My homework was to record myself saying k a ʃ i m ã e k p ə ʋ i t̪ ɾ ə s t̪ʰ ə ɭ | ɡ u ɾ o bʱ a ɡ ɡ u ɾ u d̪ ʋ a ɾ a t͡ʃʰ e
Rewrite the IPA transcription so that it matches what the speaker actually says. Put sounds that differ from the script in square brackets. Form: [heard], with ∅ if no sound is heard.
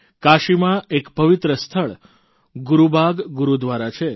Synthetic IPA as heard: k a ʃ i m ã e k p ə ʋ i t̪ ɾ ə s t̪ʰ ə ɭ | ɡ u ɾ [u] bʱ a ɡ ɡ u ɾ u d̪ ʋ a ɾ a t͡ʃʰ e